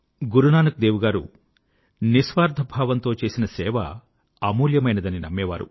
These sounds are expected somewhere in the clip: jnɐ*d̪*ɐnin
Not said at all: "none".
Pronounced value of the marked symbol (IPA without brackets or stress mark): d̪